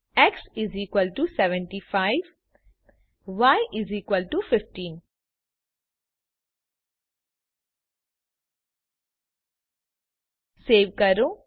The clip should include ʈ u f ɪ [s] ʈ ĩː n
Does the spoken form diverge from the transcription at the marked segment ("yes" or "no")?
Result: yes